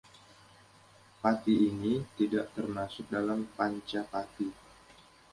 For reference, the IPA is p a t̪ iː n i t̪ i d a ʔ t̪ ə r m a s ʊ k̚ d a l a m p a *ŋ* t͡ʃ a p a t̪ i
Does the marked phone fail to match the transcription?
yes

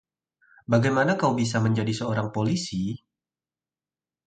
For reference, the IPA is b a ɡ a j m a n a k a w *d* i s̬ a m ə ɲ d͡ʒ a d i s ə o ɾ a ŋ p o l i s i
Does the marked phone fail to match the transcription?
yes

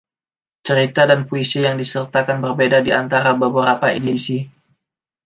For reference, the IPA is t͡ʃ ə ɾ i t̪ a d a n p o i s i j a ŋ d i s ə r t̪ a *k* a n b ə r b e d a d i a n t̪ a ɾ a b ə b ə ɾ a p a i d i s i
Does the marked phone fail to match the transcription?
no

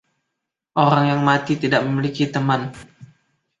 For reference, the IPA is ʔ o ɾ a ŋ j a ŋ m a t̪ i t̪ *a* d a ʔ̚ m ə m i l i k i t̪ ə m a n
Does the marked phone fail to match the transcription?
yes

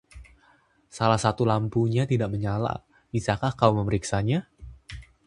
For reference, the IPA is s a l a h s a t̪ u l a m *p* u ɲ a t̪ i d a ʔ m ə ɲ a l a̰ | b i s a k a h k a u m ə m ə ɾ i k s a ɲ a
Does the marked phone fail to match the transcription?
no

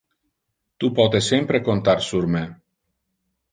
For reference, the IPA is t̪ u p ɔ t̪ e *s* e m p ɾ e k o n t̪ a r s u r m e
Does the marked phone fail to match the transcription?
no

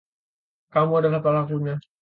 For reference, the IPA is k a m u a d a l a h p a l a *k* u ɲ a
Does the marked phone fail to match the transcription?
no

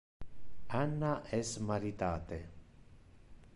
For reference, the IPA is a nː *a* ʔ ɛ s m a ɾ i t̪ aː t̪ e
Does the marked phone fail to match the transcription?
no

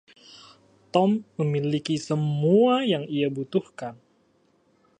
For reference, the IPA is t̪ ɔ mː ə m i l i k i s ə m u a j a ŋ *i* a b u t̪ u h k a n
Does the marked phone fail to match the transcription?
no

